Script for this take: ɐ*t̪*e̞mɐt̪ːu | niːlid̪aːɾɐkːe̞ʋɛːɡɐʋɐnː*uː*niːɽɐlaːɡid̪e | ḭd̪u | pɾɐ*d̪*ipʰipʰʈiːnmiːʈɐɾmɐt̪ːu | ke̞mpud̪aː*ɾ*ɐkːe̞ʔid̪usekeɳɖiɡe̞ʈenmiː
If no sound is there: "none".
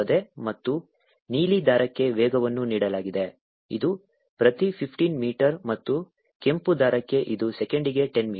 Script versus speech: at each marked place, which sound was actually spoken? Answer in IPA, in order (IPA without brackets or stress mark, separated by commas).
d̪, u, t̪, ɾ